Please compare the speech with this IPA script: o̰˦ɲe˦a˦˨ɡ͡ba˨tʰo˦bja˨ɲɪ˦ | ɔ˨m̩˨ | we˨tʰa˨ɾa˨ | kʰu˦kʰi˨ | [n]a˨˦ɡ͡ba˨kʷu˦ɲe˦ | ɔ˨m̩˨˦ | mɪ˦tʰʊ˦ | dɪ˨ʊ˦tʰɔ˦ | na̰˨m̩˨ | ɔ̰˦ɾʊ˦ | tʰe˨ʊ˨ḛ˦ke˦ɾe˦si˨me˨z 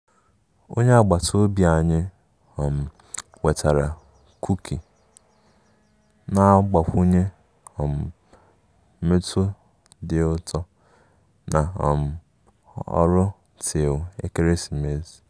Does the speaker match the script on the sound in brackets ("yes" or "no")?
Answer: yes